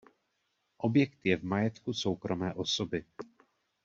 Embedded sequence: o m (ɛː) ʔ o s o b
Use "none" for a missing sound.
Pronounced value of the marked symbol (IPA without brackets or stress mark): ɛː